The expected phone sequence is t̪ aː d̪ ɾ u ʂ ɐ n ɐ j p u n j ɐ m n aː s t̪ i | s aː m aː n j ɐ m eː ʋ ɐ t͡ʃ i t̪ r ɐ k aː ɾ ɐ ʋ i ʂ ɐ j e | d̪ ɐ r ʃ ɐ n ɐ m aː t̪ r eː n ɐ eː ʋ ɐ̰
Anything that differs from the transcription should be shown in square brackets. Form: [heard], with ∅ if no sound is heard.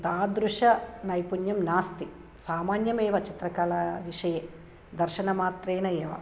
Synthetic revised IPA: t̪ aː d̪ ɾ u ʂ ɐ n ɐ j p u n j ɐ m n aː s t̪ i | s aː m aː n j ɐ m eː ʋ ɐ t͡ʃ i t̪ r ɐ k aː [l] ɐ ʋ i ʂ ɐ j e | d̪ ɐ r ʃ ɐ n ɐ m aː t̪ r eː n ɐ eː ʋ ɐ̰